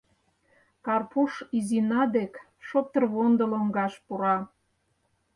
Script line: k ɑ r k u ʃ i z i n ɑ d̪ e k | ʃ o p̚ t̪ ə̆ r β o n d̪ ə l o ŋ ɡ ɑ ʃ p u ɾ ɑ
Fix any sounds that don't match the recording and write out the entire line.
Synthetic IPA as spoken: k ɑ r p u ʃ i z i n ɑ d̪ e k | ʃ o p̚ t̪ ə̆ r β o n d̪ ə l o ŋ ɡ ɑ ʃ p u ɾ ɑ